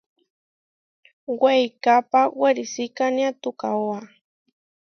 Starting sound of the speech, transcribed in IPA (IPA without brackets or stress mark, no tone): w